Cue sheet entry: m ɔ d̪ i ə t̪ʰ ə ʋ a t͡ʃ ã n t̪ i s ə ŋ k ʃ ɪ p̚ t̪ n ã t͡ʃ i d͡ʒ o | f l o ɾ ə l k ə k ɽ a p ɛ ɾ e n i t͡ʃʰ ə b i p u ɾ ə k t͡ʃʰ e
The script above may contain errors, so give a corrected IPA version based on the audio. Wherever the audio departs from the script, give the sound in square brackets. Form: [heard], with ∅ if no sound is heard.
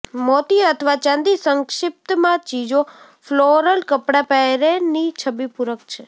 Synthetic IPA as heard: m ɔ [t̪] i ə t̪ʰ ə ʋ a t͡ʃ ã n [d̪] i s ə ŋ k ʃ ɪ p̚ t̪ [m] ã t͡ʃ i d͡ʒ o | f l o ɾ ə l k ə [p] ɽ a p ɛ ɾ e n i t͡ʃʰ ə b i p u ɾ ə k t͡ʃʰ e